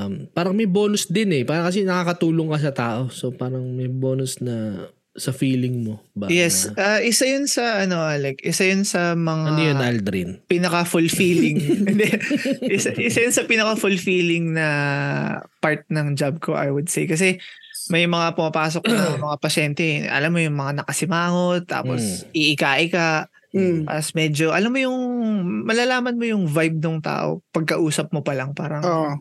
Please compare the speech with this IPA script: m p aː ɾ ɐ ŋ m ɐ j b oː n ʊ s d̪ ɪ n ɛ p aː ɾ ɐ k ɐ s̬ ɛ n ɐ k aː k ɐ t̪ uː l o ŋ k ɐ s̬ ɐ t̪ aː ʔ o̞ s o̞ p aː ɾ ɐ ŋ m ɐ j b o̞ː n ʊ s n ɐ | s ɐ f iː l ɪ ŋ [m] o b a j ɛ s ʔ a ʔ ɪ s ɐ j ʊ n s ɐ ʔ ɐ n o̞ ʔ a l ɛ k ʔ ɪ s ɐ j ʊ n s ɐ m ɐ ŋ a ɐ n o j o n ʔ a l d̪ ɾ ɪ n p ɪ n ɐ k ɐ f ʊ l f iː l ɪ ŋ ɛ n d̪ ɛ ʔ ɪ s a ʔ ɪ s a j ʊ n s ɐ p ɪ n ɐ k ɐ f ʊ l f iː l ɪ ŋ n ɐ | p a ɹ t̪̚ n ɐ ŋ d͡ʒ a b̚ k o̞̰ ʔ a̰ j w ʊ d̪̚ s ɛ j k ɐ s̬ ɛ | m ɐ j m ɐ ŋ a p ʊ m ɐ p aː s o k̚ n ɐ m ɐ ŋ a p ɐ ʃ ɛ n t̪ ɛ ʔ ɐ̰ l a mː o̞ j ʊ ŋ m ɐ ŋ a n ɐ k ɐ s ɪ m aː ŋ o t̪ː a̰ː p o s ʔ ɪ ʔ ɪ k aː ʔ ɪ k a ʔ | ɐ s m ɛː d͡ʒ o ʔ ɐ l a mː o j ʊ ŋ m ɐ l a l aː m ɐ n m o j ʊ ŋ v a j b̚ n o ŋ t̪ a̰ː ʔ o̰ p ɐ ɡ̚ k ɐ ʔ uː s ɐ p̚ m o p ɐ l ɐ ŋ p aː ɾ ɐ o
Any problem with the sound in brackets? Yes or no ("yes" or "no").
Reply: no